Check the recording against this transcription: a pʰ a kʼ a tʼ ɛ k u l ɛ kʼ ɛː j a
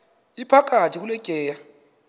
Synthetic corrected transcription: i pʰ a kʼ a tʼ i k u l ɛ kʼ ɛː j a